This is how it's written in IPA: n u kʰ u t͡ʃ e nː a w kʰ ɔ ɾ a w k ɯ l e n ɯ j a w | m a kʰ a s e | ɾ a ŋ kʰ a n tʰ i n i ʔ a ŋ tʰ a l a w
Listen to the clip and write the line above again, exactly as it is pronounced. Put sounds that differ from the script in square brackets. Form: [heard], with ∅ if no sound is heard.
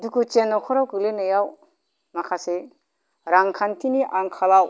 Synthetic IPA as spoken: [d] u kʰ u t͡ʃ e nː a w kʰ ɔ ɾ a w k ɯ l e n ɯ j a w | m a kʰ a s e | ɾ a ŋ kʰ a n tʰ i n i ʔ a ŋ [kʰ] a l a w